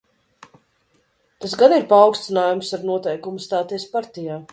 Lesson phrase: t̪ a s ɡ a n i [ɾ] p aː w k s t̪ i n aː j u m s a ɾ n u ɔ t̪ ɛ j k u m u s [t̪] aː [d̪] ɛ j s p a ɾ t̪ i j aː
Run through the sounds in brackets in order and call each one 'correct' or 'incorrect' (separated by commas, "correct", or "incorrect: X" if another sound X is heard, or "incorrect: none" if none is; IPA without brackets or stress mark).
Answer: correct, correct, incorrect: t̪